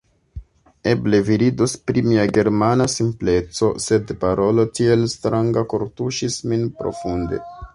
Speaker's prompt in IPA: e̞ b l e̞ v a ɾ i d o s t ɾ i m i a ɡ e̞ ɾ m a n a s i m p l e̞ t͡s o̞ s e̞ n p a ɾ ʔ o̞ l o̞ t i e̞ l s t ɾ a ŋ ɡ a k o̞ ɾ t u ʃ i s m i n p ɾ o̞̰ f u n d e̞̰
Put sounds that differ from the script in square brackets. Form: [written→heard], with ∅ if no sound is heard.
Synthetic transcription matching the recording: e̞ b l e̞ v [a→i] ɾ i d o s [t→p] ɾ i m i a ɡ e̞ ɾ m a n a s i m p l e̞ t͡s o̞ s e̞ [n→d] p a ɾ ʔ o̞ l o̞ t i e̞ l s t ɾ a ŋ ɡ a k o̞ ɾ t u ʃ i s m i n p ɾ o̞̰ f u n d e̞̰